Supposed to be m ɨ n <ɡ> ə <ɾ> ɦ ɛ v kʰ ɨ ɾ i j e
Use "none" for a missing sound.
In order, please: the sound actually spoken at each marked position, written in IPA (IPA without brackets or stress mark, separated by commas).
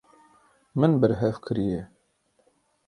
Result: b, ɾ